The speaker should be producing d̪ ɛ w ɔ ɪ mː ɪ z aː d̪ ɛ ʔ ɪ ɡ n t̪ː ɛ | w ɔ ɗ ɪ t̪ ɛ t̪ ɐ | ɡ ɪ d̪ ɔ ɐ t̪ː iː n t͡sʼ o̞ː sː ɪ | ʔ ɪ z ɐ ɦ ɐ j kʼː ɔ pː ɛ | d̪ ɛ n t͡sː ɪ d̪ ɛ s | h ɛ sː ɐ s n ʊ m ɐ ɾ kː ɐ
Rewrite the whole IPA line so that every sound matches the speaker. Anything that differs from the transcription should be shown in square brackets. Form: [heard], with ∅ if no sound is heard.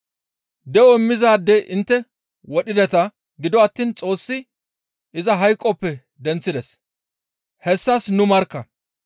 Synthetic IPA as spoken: d̪ ɛ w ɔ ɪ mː ɪ z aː d̪ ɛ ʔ ɪ [∅] n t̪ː ɛ | w ɔ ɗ ɪ [d̪] ɛ t̪ ɐ | ɡ ɪ d̪ ɔ ɐ t̪ː iː n t͡sʼ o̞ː sː ɪ | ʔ ɪ z ɐ ɦ ɐ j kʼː ɔ pː ɛ | d̪ ɛ n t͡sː ɪ d̪ ɛ s | h ɛ sː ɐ s n ʊ m ɐ ɾ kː ɐ